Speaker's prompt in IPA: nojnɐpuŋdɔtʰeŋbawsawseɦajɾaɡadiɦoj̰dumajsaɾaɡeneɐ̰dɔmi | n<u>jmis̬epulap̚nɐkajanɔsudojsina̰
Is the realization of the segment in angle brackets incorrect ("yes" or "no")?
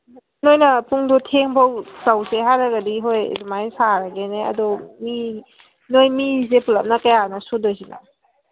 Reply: yes